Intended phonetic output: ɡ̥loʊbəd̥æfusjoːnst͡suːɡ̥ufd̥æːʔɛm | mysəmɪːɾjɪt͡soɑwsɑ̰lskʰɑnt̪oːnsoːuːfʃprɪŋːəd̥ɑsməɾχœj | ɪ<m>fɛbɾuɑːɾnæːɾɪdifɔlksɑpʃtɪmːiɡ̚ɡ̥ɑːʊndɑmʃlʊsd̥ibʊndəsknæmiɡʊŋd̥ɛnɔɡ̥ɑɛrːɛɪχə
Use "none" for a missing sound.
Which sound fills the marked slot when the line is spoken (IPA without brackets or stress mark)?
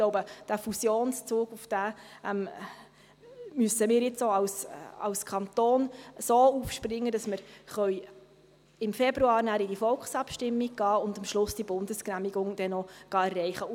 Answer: m